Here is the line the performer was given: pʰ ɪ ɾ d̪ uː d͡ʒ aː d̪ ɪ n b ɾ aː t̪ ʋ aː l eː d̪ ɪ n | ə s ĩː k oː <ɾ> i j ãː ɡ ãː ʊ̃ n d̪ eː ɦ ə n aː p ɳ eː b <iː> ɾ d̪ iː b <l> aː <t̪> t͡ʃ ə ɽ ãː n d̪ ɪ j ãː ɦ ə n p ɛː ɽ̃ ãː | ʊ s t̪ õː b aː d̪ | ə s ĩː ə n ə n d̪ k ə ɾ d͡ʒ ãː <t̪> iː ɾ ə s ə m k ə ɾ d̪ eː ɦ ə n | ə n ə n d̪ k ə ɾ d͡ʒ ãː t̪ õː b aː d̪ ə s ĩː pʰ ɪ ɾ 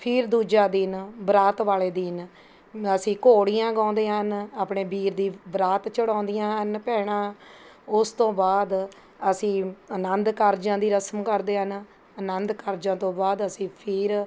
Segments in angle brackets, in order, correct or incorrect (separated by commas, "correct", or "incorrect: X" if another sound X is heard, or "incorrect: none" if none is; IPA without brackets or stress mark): incorrect: ɽ, correct, incorrect: ɾ, correct, incorrect: d̪